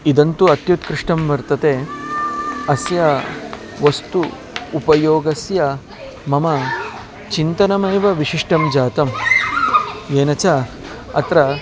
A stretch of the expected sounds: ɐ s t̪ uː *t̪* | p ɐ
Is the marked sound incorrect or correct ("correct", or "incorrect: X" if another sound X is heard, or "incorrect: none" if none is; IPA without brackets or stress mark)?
incorrect: none